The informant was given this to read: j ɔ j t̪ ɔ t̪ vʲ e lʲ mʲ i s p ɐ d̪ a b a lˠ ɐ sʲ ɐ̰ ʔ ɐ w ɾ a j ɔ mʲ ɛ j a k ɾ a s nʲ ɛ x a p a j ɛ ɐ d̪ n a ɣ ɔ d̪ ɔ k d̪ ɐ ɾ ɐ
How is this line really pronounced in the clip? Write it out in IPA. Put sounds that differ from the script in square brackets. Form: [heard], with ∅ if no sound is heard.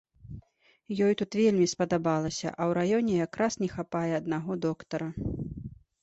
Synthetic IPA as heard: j ɔ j t̪ [u] t̪ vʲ e lʲ mʲ i s p ɐ d̪ a b a lˠ ɐ sʲ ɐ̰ ʔ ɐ w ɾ a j ɔ [nʲ] ɛ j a k ɾ a s nʲ ɛ x a p a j ɛ ɐ d̪ n a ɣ ɔ d̪ ɔ k [t̪] ɐ ɾ ɐ